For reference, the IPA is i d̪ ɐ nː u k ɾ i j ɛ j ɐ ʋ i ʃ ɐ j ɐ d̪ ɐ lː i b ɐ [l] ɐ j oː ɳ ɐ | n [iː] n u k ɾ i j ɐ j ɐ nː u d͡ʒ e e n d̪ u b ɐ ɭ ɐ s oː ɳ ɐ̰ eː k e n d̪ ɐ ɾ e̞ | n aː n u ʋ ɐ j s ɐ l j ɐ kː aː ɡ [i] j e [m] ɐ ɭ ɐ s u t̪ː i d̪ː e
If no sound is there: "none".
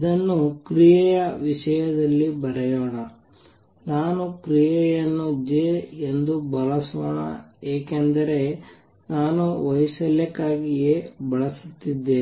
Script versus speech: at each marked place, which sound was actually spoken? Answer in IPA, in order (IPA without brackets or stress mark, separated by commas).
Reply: ɾ, aː, i, b